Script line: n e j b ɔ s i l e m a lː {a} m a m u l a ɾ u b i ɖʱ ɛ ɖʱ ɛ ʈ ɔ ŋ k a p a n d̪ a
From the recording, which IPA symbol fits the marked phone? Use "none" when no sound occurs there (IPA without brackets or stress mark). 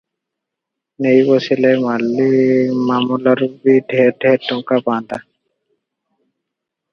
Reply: i